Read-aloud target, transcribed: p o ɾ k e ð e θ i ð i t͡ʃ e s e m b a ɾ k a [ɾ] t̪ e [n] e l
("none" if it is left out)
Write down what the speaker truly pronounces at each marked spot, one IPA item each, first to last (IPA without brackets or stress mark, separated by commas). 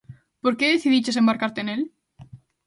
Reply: ɾ, n